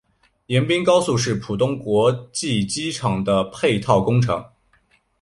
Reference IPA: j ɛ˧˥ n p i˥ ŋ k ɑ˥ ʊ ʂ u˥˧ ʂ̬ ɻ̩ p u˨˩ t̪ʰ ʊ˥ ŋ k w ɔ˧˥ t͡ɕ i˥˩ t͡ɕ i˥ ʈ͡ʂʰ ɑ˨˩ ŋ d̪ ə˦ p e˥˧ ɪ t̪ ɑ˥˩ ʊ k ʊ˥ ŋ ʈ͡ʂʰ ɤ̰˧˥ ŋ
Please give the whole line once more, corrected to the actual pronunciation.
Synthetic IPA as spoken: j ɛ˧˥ n p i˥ ŋ k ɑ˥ ʊ s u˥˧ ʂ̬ ɻ̩ pʰ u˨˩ t̪ ʊ˥ ŋ k w ɔ˧˥ t͡ɕ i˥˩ t͡ɕ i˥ ʈ͡ʂʰ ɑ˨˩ ŋ d̪ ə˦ pʰ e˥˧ ɪ t̪ʰ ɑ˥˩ ʊ k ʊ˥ ŋ ʈ͡ʂʰ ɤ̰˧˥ ŋ